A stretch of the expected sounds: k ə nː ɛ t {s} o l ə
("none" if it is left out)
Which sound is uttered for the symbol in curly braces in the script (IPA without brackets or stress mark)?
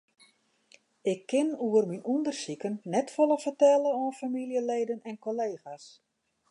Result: f